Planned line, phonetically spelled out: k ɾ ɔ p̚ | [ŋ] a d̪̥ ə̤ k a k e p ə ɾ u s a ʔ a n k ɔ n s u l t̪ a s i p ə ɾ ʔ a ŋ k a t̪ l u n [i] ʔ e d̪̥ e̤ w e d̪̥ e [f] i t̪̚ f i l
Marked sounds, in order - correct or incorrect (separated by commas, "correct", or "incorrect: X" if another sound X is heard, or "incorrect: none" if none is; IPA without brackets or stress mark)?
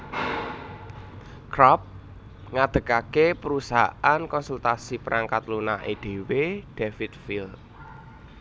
correct, incorrect: a, correct